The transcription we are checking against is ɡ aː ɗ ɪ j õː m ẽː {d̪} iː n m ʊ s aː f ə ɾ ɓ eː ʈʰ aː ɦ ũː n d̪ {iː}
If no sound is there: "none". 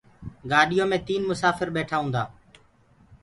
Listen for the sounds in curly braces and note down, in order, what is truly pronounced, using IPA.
t̪, aː

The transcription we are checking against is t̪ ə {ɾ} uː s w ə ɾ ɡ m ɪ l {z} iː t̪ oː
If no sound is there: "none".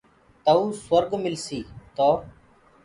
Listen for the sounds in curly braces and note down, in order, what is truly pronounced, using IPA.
none, s

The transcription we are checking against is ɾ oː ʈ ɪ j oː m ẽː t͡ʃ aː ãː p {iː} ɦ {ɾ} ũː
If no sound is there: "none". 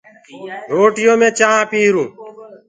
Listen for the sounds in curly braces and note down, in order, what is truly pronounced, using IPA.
iː, ɾ

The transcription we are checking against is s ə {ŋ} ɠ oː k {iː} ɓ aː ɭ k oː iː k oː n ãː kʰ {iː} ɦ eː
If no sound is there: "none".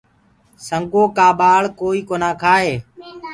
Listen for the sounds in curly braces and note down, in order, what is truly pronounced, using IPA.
ŋ, aː, aː

